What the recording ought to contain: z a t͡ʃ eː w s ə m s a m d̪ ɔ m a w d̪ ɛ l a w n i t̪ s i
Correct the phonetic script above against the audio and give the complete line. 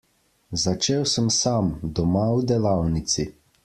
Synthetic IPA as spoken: z a t͡ʃ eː w s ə m s a m d̪ ɔ m a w d̪ ɛ l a w n i t̪ s i